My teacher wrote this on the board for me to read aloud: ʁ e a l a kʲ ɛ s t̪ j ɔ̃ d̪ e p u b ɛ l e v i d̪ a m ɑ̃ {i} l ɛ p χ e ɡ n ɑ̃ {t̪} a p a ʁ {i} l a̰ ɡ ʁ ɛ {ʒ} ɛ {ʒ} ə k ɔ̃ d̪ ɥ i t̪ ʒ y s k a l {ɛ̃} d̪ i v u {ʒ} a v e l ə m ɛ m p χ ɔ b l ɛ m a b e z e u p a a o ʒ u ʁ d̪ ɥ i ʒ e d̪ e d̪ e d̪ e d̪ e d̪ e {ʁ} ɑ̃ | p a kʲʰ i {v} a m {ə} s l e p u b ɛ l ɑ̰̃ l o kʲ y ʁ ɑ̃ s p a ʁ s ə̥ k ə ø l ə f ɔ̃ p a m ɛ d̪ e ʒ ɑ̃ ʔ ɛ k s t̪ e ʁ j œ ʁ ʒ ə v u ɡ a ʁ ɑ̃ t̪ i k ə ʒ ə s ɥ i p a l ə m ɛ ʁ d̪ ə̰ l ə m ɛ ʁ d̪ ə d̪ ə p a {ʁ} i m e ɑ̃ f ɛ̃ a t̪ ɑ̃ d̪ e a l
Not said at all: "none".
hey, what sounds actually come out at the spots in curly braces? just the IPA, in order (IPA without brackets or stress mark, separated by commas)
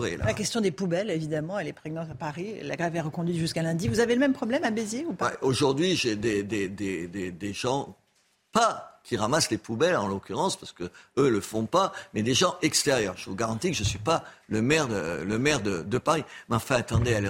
ɛ, t̪, i, v, ʁ, ɛ̃, z, ʒ, ʁ, a, ʁ